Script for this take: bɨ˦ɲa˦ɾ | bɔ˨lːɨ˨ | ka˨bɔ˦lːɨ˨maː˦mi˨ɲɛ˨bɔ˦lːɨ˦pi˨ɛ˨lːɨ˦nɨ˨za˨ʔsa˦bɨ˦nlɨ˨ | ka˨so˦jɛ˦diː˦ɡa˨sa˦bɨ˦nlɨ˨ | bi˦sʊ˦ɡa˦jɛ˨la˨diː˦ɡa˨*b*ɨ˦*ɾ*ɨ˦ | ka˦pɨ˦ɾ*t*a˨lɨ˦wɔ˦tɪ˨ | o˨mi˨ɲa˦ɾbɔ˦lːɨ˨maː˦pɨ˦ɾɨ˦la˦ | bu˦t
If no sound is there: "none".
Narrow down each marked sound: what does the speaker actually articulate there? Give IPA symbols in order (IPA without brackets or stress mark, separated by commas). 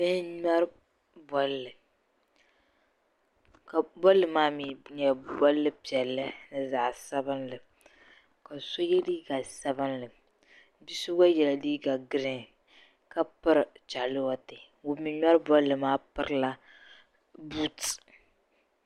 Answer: ɡ, ɾ, t͡ʃ